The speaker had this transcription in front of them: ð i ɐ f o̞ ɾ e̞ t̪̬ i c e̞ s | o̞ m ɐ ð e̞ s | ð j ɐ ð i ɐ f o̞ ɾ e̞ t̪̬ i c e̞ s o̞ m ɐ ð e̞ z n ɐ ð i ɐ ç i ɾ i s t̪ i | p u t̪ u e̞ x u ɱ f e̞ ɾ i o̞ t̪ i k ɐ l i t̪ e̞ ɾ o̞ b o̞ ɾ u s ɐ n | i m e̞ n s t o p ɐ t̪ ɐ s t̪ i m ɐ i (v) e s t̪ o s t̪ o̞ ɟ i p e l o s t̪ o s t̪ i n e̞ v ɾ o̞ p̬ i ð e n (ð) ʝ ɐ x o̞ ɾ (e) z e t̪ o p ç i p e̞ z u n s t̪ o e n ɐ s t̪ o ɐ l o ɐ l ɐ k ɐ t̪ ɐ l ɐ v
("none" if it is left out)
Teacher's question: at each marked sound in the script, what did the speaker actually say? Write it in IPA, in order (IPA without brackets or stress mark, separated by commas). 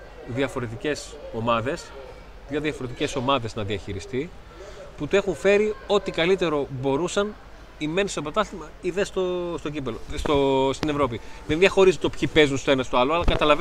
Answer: ð, ð, i